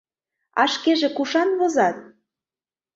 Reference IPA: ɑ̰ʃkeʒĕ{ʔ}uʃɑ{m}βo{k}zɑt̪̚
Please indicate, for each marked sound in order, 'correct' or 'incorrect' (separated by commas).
incorrect, incorrect, incorrect